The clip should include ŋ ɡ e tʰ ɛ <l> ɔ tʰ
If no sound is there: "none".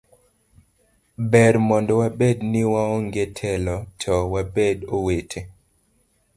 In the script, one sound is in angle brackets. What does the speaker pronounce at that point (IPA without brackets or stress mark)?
l